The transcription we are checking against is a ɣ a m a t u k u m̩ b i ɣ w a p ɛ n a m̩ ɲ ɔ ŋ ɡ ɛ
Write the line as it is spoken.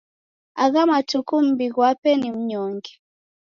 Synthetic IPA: a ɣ a m a t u k u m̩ b i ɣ w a p ɛ n i m̩ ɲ ɔ ŋ ɡ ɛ